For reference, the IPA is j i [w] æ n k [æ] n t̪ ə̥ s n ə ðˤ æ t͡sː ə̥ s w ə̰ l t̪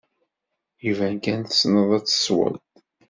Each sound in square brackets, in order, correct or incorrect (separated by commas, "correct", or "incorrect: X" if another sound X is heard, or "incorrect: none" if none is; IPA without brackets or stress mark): incorrect: v, correct